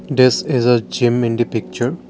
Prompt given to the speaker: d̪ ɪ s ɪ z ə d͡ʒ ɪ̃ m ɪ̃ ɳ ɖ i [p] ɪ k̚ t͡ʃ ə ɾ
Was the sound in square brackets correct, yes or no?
yes